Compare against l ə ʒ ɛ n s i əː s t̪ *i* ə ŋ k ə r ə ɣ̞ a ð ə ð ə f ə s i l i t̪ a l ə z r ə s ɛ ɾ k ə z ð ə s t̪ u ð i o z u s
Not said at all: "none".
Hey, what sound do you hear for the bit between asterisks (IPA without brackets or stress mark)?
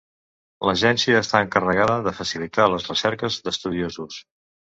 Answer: a